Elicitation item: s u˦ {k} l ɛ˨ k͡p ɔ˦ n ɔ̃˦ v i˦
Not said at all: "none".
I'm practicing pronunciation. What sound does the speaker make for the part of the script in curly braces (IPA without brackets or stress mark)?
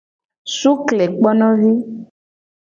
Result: k